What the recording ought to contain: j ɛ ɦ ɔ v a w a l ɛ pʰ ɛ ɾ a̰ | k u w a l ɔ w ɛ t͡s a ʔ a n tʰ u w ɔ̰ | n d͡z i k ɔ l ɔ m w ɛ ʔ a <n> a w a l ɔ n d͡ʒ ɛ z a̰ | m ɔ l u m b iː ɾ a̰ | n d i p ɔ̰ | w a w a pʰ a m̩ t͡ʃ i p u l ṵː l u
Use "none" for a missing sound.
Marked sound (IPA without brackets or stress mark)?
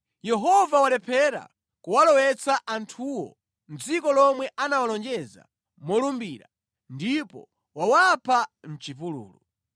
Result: n